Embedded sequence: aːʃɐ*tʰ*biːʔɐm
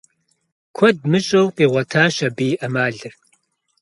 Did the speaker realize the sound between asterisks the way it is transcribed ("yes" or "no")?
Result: no